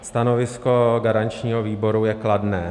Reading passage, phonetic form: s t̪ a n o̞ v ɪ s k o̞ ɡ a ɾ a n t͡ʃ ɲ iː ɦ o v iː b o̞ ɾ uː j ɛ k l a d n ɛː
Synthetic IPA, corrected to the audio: s t̪ a n o̞ v ɪ s k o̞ ɡ a ɾ a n t͡ʃ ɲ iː ɦ o v iː b o̞ ɾ u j ɛ k l a d n ɛː